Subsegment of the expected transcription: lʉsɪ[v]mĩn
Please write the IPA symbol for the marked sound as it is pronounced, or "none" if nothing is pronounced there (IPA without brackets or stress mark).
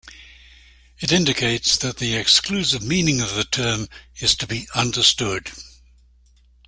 v